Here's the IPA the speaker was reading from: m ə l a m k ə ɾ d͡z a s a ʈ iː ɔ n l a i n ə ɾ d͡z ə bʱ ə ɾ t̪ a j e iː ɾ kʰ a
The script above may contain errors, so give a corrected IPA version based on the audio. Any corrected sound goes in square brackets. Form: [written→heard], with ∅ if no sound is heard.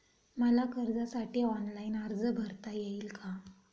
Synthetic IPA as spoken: m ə l a [m→∅] k ə ɾ d͡z a s a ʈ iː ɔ n l a i n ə ɾ d͡z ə bʱ ə ɾ t̪ a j e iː [ɾ→l] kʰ a

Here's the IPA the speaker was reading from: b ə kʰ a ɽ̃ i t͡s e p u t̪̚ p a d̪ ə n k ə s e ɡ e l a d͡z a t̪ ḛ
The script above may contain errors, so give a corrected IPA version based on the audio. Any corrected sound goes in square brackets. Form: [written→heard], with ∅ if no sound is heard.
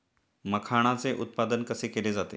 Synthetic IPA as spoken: [b→m] ə kʰ a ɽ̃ [i→a] t͡s e [p→ʔ] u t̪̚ p a d̪ ə n k ə s e [ɡ→k] e l [a→e] d͡z a t̪ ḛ

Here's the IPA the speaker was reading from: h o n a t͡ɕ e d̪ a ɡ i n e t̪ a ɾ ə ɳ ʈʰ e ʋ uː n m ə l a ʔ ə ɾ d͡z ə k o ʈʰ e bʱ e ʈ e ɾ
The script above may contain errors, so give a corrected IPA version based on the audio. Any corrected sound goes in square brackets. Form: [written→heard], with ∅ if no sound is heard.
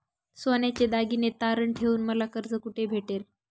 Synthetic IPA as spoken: [h→s] o n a t͡ɕ e d̪ a ɡ i n e t̪ a ɾ ə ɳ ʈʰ e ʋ uː n m ə l a [ʔ→k] ə ɾ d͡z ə k [o→u] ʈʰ e bʱ e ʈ e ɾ

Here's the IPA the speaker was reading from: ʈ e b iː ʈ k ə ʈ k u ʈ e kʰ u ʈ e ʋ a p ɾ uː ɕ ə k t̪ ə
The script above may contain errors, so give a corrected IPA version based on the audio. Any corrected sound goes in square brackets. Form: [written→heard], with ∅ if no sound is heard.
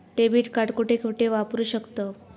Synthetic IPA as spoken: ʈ e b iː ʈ k [ə→a] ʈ k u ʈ e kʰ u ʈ e ʋ a p ɾ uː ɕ ə k t̪ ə

